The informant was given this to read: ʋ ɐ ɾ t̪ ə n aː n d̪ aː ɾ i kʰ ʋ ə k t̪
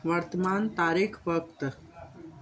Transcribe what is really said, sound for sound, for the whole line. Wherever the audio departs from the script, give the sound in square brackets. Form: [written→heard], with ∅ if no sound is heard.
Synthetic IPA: ʋ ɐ ɾ t̪ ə [n→m] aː n [d̪→t̪] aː ɾ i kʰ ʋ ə k t̪